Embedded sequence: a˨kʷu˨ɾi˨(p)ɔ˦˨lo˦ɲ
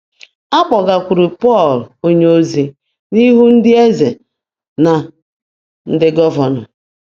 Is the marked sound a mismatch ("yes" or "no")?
no